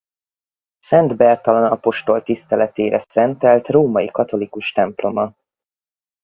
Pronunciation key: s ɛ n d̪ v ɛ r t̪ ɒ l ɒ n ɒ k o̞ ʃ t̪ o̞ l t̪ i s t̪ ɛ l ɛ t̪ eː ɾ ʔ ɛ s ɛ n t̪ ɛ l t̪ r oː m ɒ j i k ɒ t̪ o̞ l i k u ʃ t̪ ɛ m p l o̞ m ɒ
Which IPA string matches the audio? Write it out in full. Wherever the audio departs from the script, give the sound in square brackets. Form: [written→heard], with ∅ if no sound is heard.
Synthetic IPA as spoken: s ɛ n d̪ [v→b] ɛ r t̪ ɒ l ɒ n ɒ [k→p] o̞ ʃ t̪ o̞ l t̪ i s t̪ ɛ l ɛ t̪ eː ɾ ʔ ɛ s ɛ n t̪ ɛ l t̪ r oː m ɒ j i k ɒ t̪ o̞ l i k u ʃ t̪ ɛ m p l o̞ m ɒ